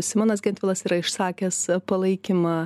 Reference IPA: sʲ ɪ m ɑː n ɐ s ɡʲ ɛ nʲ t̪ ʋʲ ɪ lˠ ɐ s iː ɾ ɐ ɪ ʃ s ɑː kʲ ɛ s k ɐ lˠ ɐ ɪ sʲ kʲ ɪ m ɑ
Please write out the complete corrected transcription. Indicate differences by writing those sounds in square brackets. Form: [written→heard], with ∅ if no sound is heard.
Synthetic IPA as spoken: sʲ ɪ m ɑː n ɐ s ɡʲ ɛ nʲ t̪ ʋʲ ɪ lˠ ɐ s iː ɾ ɐ ɪ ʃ s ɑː kʲ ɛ s [k→p] ɐ lˠ ɐ ɪ [sʲ→∅] kʲ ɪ m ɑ